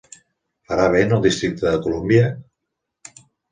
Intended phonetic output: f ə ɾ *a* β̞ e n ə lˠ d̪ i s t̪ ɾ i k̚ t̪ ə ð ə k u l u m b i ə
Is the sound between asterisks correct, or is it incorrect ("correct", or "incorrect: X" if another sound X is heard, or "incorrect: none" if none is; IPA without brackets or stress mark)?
correct